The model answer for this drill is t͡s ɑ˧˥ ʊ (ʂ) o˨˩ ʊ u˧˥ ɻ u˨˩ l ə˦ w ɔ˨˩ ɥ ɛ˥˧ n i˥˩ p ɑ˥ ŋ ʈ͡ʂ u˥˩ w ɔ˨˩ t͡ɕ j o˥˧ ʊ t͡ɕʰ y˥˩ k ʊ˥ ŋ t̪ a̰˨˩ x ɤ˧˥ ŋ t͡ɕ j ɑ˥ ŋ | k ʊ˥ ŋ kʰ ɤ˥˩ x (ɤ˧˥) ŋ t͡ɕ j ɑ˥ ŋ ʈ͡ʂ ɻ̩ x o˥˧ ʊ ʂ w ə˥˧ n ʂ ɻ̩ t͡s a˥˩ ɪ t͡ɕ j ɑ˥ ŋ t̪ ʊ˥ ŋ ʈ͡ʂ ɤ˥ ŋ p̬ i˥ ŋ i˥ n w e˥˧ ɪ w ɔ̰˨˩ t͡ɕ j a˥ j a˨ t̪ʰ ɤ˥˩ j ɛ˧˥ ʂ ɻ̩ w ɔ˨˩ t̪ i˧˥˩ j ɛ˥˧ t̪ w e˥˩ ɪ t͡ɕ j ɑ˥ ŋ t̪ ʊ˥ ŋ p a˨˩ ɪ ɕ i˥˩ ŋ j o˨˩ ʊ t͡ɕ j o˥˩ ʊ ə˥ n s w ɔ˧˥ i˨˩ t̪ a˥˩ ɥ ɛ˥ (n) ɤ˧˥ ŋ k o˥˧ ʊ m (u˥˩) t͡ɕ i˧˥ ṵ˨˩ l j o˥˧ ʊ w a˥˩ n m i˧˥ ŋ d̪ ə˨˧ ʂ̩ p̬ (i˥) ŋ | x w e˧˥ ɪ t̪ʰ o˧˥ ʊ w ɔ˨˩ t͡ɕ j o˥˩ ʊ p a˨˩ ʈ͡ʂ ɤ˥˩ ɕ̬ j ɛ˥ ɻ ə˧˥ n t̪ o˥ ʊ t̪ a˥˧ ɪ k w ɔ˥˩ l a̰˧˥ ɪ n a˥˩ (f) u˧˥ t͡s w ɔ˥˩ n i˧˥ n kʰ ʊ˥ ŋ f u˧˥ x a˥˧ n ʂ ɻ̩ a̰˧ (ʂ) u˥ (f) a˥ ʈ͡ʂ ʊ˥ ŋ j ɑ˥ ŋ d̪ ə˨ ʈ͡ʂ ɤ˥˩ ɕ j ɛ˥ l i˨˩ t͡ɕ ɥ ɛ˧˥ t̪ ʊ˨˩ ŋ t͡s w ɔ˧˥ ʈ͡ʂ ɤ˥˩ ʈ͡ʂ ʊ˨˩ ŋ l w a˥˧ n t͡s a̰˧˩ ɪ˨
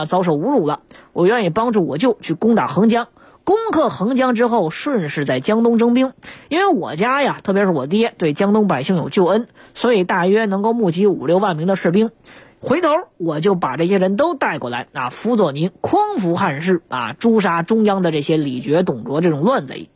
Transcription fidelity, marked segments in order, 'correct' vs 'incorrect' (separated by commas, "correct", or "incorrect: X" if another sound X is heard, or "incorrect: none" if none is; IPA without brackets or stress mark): correct, correct, correct, correct, correct, correct, incorrect: ʈ͡ʂ, incorrect: ʂ